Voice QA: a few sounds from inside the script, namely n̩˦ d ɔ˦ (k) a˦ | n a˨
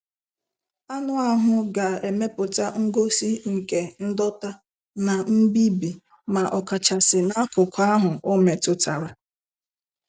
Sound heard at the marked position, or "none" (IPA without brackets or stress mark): t